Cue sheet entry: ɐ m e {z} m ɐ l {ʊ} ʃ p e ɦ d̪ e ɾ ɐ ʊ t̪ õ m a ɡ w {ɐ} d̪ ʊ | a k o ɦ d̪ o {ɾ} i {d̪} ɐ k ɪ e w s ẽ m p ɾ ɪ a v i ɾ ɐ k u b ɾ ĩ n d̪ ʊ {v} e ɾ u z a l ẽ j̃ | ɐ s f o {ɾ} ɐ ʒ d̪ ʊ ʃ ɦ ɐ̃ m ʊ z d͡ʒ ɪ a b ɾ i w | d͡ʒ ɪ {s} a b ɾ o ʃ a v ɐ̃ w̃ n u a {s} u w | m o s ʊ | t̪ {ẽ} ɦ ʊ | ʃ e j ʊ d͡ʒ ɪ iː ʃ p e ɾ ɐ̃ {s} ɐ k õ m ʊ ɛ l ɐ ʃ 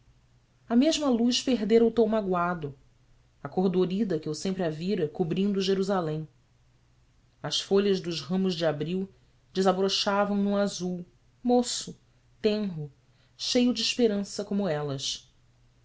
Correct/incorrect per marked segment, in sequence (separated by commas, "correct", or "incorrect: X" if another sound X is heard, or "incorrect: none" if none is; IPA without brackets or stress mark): incorrect: ʒ, incorrect: u, incorrect: a, correct, correct, incorrect: ʒ, incorrect: ʎ, incorrect: z, incorrect: z, correct, correct